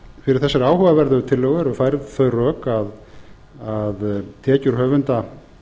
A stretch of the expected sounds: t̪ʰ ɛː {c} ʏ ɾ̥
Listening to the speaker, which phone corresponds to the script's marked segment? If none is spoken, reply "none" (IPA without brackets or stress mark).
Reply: c